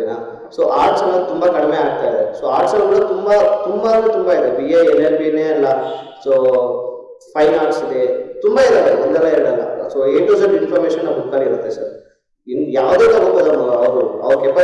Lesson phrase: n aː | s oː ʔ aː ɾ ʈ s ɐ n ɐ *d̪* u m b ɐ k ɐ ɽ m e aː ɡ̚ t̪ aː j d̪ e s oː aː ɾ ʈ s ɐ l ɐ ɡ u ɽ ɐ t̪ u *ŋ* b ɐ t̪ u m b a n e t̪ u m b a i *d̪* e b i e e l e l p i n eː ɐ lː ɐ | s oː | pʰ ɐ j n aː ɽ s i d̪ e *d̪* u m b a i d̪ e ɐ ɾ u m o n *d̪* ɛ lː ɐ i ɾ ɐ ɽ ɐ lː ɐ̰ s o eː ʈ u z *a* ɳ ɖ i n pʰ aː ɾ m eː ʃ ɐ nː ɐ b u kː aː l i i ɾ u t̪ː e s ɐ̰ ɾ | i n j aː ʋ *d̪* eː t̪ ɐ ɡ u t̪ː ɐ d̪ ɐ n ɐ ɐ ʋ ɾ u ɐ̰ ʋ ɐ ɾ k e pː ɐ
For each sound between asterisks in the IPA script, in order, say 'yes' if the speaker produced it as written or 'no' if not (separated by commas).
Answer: no, no, yes, no, yes, no, yes